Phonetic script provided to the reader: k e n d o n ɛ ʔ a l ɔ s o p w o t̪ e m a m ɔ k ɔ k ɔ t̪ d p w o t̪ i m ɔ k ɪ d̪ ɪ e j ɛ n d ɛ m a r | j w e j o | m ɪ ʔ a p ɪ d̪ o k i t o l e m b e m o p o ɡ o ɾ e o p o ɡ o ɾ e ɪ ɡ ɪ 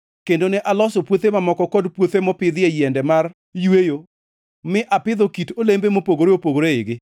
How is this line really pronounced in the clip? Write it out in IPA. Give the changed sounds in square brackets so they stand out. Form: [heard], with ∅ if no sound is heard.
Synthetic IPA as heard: k e n d o n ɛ ʔ a l ɔ s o p w o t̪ e m a m ɔ k ɔ k ɔ [∅] d p w o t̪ [e] m ɔ [p] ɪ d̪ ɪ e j ɛ n d ɛ m a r | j w e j o | m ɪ ʔ a p ɪ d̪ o k i t o l e m b e m o p o ɡ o ɾ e o p o ɡ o ɾ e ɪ ɡ ɪ